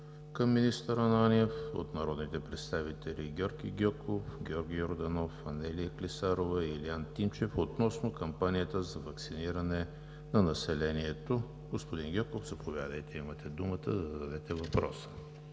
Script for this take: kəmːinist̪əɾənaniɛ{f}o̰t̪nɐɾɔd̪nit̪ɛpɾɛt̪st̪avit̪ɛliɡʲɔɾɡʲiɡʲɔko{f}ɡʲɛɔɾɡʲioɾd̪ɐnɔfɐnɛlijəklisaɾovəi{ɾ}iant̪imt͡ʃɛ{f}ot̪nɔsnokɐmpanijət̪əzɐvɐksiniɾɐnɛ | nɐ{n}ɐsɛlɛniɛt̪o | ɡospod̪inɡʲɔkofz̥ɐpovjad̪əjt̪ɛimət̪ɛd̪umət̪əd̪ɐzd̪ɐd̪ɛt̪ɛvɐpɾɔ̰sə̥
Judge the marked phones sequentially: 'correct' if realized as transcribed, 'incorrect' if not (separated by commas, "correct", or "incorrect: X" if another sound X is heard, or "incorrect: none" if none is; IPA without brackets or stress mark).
correct, correct, incorrect: l, correct, correct